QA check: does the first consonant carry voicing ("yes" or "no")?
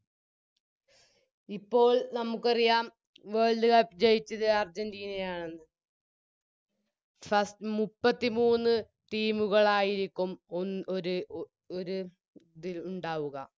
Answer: no